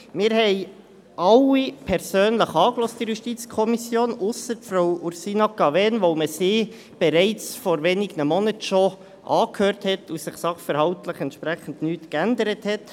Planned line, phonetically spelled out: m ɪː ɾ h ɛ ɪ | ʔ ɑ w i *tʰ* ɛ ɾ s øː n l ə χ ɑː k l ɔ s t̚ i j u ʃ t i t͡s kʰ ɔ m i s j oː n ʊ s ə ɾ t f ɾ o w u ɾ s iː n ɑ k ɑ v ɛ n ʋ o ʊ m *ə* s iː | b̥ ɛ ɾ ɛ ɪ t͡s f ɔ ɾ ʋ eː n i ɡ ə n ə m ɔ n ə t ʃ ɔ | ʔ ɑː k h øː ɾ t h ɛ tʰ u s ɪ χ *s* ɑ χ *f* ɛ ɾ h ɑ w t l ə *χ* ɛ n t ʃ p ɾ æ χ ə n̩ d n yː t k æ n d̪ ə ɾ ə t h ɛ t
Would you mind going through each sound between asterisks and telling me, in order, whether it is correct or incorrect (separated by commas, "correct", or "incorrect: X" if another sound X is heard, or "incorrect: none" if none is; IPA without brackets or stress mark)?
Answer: incorrect: pʰ, correct, correct, correct, correct